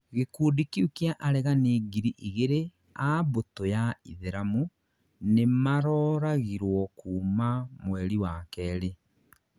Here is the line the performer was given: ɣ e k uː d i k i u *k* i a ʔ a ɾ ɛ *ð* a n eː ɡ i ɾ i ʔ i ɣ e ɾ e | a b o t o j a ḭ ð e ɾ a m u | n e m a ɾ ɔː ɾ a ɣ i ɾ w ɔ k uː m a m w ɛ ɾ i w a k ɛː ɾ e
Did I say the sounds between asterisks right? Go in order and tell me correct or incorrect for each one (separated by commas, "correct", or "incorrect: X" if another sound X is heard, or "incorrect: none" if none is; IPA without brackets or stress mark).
correct, incorrect: ɣ